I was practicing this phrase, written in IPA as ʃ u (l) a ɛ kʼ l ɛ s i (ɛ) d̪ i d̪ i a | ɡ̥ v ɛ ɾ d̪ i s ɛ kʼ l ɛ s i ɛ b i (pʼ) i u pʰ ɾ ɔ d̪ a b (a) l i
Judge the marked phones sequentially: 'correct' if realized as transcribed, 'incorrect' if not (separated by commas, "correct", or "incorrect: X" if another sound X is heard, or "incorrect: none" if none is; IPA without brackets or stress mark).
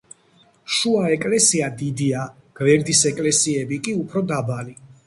incorrect: none, incorrect: a, incorrect: kʼ, correct